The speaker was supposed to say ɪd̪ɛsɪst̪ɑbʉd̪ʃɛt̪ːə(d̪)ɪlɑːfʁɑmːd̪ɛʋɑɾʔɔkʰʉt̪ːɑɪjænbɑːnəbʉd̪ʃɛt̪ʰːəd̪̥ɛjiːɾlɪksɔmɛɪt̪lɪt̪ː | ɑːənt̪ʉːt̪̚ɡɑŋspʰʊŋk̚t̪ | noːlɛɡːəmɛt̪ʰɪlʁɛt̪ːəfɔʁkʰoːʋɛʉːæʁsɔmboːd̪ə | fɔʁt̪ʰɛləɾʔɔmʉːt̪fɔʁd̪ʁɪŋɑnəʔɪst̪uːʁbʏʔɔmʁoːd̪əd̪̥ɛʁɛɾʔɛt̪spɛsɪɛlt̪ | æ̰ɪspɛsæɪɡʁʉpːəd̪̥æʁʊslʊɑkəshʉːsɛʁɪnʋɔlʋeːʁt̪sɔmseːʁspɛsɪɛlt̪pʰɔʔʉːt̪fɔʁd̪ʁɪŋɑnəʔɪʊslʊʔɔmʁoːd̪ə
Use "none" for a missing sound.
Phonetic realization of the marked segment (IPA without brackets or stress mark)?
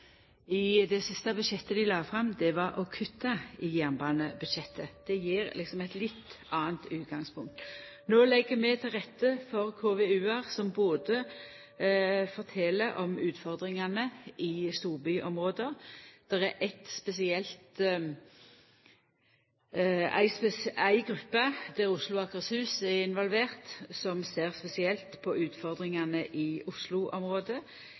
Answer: d̪